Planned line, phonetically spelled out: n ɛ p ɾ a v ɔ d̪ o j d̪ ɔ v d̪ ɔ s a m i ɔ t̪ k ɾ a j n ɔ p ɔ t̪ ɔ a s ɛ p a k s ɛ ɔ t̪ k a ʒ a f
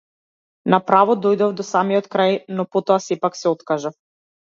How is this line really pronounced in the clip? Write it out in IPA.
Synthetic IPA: n a p ɾ a v ɔ d̪ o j d̪ ɔ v d̪ ɔ s a m i ɔ t̪ k ɾ a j n ɔ p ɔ t̪ ɔ a s ɛ p a k s ɛ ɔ t̪ k a ʒ a f